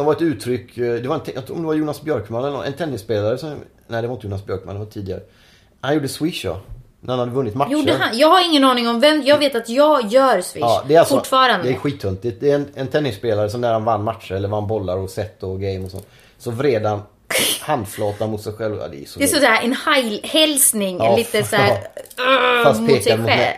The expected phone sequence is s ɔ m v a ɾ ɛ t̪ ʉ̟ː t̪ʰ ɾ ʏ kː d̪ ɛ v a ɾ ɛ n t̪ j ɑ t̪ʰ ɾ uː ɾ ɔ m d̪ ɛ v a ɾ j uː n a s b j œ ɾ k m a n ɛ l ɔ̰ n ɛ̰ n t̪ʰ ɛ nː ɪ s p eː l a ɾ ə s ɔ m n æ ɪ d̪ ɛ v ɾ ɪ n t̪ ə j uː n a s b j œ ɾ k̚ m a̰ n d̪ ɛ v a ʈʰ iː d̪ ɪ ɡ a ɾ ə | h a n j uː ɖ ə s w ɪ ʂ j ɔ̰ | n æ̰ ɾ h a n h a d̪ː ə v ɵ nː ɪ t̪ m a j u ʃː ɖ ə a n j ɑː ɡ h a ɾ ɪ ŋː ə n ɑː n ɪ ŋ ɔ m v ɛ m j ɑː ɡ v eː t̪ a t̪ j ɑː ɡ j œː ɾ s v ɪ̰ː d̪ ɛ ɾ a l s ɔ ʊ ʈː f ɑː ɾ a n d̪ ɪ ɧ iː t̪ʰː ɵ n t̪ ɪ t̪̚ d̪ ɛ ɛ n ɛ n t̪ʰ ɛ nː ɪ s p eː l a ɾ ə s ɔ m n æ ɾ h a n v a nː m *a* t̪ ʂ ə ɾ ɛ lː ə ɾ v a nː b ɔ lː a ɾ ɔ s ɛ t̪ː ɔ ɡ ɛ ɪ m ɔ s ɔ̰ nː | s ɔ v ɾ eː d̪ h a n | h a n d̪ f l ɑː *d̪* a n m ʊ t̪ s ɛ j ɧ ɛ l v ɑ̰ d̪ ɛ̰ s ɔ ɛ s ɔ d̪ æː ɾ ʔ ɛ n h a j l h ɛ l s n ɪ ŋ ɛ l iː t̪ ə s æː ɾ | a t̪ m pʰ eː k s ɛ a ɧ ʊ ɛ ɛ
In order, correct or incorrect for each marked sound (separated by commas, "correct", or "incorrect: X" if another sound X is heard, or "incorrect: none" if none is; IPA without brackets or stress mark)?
correct, incorrect: t̪